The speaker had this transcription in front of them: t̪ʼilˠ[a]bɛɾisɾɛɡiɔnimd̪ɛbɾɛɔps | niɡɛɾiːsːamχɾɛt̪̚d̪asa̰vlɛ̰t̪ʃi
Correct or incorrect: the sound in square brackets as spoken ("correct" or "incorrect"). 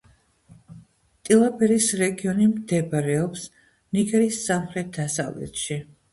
correct